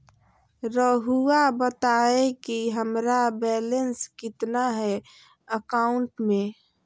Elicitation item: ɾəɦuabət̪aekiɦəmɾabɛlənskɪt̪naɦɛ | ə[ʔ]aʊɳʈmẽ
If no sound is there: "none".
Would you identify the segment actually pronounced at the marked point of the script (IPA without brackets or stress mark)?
k